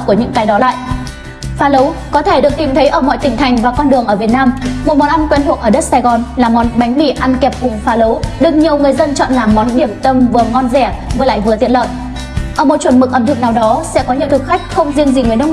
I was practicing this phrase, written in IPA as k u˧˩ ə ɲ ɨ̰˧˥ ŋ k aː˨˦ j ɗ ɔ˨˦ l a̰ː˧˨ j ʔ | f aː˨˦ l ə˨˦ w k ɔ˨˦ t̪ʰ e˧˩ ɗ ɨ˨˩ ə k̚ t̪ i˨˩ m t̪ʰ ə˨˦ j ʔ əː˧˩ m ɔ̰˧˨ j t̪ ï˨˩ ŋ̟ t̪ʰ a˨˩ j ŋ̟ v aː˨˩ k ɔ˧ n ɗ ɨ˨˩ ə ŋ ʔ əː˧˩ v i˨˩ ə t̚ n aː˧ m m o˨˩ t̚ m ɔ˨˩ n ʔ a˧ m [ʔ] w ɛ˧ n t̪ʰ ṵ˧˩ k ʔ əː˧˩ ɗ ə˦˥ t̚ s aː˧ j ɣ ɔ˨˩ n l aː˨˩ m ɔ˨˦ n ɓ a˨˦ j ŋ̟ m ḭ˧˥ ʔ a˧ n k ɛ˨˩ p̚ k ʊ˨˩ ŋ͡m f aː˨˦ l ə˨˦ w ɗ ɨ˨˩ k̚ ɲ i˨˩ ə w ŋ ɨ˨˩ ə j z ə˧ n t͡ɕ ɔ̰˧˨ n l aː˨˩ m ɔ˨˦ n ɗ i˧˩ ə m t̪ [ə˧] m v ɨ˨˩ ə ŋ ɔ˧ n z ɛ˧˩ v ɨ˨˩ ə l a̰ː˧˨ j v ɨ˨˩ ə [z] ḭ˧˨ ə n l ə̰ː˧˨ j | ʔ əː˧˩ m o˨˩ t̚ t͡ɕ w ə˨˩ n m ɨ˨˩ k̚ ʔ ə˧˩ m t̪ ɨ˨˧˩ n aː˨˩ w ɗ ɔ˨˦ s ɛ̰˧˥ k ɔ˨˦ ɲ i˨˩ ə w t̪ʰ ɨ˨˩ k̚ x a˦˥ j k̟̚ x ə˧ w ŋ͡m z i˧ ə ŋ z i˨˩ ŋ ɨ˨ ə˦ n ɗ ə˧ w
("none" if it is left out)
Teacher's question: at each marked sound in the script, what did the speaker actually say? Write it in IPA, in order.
k, ə˧, z

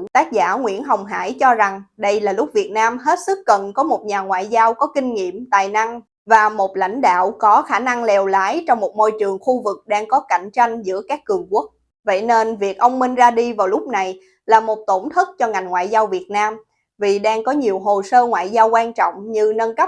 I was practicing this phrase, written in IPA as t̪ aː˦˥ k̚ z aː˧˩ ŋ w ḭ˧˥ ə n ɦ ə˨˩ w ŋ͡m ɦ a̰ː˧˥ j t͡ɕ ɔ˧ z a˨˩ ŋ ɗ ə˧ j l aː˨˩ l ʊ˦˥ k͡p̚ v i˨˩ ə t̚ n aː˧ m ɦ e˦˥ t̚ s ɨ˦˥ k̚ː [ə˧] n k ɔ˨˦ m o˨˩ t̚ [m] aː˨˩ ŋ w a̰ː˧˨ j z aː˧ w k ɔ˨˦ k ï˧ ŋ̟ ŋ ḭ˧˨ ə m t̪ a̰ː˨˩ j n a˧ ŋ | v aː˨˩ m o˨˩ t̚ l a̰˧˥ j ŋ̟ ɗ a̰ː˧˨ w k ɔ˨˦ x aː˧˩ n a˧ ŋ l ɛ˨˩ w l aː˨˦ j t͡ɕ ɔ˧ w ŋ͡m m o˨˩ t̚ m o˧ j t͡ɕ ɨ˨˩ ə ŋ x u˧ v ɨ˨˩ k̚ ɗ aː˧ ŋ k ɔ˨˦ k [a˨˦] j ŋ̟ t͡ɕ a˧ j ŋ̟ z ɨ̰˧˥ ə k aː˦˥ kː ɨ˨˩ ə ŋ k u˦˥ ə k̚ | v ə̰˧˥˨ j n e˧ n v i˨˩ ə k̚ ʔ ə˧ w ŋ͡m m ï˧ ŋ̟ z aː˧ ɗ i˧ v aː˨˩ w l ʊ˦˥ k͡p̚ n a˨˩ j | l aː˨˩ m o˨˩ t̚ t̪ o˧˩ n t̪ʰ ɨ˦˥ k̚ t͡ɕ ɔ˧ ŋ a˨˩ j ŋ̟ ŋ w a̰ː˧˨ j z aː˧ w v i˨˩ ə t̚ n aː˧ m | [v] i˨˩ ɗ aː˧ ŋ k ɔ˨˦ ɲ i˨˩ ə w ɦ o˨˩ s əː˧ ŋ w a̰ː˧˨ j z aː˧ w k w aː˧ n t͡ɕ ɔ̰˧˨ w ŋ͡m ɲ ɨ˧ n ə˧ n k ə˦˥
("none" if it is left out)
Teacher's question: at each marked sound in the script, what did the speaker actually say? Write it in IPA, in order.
ə˨˩, ɲ, a˧˩, v

